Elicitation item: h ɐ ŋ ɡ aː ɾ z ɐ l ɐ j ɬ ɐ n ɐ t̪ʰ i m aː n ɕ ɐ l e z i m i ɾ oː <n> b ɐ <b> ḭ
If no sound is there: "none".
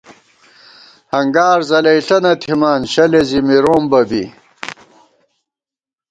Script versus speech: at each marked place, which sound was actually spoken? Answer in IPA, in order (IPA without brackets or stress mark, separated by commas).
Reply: m, b